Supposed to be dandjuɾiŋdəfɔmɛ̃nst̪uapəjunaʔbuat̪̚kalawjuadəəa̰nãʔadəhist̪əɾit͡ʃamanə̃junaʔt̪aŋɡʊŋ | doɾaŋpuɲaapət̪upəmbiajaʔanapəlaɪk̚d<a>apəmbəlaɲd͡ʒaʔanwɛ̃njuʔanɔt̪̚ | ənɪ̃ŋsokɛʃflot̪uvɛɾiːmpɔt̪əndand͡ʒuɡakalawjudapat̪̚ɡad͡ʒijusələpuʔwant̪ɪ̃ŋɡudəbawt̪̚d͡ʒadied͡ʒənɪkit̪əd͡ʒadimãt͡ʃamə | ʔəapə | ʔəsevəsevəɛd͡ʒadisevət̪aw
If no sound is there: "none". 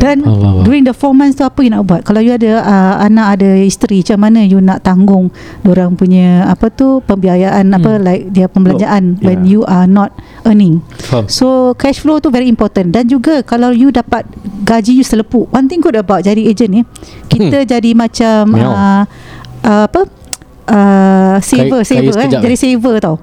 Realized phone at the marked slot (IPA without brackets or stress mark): i